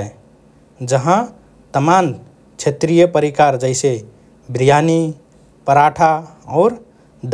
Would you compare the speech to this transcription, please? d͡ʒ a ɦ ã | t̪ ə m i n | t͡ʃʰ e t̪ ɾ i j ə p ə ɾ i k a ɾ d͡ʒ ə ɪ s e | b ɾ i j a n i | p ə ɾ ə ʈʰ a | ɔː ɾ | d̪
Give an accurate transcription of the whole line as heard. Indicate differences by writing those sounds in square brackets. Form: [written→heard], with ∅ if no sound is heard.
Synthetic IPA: d͡ʒ [a→ə] ɦ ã | t̪ ə m [i→a] n | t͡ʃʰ e t̪ ɾ i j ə p ə ɾ i k a ɾ d͡ʒ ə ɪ s e | b ɾ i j a n i | p ə ɾ [ə→a] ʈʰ a | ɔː ɾ | d̪